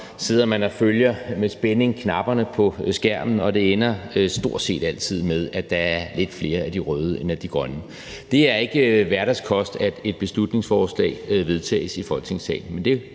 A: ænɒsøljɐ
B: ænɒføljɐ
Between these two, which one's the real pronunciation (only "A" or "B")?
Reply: B